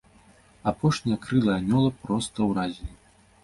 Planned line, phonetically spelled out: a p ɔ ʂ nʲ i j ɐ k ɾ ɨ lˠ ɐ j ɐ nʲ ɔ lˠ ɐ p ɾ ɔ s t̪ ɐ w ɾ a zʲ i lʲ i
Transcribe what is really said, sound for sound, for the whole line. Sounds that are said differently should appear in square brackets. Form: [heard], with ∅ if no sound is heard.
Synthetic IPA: a p ɔ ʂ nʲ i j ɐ k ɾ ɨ lˠ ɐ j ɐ nʲ ɔ lˠ ɐ p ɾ ɔ s t̪ ɐ w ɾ a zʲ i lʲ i

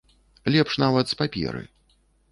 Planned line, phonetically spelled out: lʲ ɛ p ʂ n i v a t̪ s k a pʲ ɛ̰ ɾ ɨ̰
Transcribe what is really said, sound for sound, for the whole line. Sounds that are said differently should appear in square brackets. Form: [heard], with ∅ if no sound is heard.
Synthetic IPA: lʲ ɛ p ʂ n [a] v [ɐ] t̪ s [p] a pʲ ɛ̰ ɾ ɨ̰

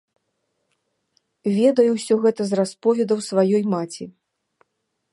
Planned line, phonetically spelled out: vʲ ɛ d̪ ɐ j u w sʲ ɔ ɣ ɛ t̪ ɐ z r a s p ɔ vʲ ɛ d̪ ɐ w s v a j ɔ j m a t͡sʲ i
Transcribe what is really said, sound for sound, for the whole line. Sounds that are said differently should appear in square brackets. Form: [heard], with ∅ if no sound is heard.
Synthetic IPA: vʲ ɛ d̪ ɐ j u w sʲ ɔ ɣ ɛ t̪ ɐ z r a s p ɔ vʲ ɛ d̪ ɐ w s v a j ɔ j m a t͡sʲ i

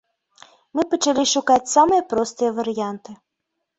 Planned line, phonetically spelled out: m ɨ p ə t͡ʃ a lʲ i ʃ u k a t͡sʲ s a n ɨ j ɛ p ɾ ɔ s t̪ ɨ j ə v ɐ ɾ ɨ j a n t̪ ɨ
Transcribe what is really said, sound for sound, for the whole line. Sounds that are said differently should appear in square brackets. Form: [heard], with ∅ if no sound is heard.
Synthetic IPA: m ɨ p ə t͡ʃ a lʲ i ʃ u k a t͡sʲ s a [m] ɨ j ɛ p ɾ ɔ s t̪ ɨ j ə v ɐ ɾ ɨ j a n t̪ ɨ

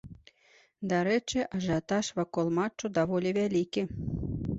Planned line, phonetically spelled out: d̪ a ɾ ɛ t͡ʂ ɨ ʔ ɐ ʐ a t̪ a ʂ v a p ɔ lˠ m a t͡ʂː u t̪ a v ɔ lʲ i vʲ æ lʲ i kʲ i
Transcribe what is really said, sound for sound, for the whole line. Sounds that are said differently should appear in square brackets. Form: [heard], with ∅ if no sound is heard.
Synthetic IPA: d̪ a ɾ ɛ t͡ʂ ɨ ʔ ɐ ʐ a t̪ a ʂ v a [k] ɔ lˠ m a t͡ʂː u [d̪] a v ɔ lʲ i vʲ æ lʲ i kʲ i

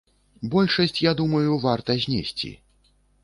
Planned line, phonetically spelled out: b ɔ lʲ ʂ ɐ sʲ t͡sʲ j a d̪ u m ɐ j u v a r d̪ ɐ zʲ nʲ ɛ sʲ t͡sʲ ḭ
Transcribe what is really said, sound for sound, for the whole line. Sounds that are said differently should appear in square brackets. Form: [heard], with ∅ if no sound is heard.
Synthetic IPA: b ɔ lʲ ʂ ɐ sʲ t͡sʲ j a d̪ u m ɐ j u v a r [t̪] ɐ zʲ nʲ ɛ sʲ t͡sʲ ḭ

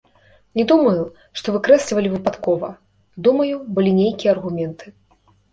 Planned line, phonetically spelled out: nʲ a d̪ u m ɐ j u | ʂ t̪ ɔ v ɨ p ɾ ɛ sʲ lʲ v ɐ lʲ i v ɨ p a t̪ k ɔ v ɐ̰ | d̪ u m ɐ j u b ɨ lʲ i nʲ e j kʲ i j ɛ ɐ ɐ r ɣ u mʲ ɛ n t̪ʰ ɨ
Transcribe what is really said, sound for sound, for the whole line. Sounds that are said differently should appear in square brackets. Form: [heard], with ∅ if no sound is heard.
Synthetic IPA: nʲ [ɛ] d̪ u m ɐ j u | ʂ t̪ ɔ v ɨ [k] ɾ ɛ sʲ lʲ v ɐ lʲ i v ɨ p a t̪ k ɔ v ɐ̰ | d̪ u m ɐ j u b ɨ lʲ i nʲ e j kʲ i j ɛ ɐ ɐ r ɣ u mʲ ɛ n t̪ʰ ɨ

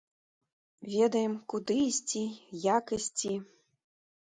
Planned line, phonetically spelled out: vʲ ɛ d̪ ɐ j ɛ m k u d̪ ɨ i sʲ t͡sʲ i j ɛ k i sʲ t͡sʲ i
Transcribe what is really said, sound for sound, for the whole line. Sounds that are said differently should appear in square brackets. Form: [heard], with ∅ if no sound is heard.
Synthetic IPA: vʲ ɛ d̪ ɐ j ɛ m k u d̪ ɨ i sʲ t͡sʲ i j [a] k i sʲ t͡sʲ i

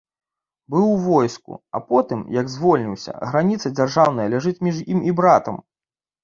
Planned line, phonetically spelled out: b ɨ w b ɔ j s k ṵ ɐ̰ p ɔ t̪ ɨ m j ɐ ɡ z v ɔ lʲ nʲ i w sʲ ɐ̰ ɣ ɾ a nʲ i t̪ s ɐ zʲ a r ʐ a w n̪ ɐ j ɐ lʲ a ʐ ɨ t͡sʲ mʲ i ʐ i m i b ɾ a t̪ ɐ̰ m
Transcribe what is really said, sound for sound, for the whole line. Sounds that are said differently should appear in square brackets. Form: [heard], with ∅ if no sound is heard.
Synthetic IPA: b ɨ w [v] ɔ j s k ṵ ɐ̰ p ɔ t̪ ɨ m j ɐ ɡ z v ɔ lʲ nʲ i w sʲ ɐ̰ ɣ ɾ a nʲ i t̪ s ɐ [d͡zʲ] a r ʐ a w n̪ ɐ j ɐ lʲ a ʐ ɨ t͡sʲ mʲ i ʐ i m i b ɾ a t̪ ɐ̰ m

